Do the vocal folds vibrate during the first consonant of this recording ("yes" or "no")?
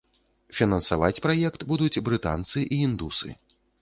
no